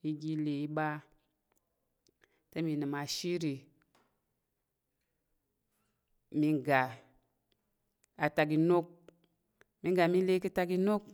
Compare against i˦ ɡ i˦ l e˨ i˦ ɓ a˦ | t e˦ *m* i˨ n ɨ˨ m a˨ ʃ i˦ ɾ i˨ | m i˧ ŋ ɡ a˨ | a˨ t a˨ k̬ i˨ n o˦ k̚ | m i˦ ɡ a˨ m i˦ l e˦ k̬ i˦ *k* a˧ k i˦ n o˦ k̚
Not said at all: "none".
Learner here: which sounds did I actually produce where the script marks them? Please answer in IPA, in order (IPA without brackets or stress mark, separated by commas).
m, t